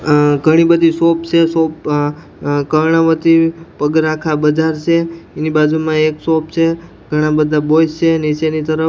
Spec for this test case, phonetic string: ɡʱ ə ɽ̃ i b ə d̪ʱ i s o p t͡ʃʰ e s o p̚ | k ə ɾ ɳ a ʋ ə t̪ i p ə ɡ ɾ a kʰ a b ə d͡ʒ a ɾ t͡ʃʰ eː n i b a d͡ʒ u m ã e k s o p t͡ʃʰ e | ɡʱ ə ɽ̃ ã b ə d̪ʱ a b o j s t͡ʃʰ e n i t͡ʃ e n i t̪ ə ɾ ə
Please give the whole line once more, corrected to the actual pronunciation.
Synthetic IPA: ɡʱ ə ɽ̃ i b ə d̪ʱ i s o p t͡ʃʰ e s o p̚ | k ə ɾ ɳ a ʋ ə t̪ i p ə ɡ ɾ a kʰ a b ə d͡ʒ a ɾ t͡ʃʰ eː n i b a d͡ʒ u m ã e k s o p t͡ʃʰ e | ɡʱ ə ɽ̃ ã b ə d̪ʱ a b o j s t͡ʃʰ e n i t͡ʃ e n i t̪ ə ɾ ə